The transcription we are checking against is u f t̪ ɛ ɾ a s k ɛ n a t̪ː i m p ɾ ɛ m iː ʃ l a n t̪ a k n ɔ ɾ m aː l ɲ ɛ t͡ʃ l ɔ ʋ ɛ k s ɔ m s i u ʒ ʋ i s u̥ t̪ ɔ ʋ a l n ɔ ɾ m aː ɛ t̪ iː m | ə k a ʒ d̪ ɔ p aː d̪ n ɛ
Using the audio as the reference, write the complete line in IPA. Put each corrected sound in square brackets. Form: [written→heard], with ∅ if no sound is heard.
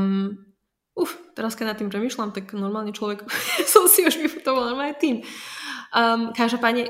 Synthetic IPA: u f t̪ ɛ ɾ a s k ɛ n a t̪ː i m p ɾ ɛ m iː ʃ l a [n→m] t̪ a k n ɔ ɾ m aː l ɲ ɛ t͡ʃ l ɔ ʋ ɛ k s ɔ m s i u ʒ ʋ i [s→f] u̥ t̪ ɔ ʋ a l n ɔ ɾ m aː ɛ t̪ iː m | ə k a ʒ d̪ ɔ p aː d̪ [n→ɲ] ɛ